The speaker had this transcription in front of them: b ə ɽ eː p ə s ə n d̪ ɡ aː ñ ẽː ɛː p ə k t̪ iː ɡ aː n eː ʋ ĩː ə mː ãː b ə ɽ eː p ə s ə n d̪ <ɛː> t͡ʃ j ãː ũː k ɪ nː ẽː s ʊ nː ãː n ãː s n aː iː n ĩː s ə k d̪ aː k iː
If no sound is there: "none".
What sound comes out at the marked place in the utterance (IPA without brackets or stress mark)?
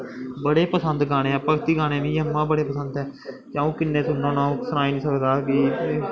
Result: ɛː